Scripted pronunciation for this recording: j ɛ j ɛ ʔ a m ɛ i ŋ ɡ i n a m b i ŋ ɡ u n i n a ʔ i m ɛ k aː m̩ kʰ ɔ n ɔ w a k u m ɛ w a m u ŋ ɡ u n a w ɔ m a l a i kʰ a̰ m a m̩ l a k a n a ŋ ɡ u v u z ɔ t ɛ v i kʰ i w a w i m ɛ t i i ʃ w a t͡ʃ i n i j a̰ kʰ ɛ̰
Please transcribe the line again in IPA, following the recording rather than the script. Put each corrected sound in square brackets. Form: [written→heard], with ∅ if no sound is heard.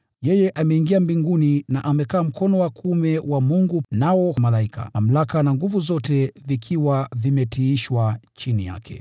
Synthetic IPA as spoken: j ɛ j ɛ ʔ a m ɛ i ŋ ɡ i [n→∅] a m b i ŋ ɡ u n i n a ʔ [i→a] m ɛ k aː m̩ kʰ ɔ n ɔ w a k u m ɛ w a m u ŋ ɡ u n a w ɔ m a l a i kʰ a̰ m a m̩ l a k a n a ŋ ɡ u v u z ɔ t ɛ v i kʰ i w a [w→v] i m ɛ t i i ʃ w a t͡ʃ i n i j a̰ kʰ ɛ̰